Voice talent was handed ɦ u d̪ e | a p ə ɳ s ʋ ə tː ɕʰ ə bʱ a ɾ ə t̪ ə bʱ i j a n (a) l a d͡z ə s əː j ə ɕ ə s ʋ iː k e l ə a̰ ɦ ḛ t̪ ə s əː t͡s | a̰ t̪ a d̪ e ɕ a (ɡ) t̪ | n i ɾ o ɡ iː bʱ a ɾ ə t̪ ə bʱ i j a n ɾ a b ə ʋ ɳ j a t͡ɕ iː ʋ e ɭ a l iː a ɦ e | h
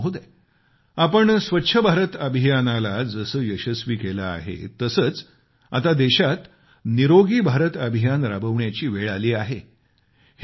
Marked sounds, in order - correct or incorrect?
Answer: correct, incorrect

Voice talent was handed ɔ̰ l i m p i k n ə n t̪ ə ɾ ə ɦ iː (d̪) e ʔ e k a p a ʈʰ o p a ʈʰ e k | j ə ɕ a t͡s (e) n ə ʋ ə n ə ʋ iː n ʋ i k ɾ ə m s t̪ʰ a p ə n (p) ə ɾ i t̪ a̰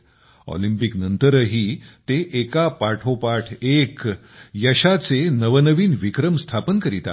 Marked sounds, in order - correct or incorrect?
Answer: incorrect, correct, incorrect

